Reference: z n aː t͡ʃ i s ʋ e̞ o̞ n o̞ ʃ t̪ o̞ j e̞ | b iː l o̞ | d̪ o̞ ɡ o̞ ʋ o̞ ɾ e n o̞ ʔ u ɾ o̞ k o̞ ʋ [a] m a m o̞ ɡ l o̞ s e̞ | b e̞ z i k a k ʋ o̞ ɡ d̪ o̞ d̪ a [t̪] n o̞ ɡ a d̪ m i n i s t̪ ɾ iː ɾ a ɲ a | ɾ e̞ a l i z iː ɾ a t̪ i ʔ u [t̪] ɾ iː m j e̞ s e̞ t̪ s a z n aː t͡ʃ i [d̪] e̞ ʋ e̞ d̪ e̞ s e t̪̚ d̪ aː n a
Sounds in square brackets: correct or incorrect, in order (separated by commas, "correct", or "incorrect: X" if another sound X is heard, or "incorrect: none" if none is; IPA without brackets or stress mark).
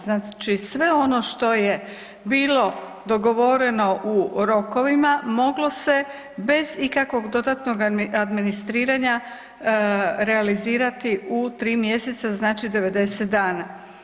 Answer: incorrect: i, correct, correct, correct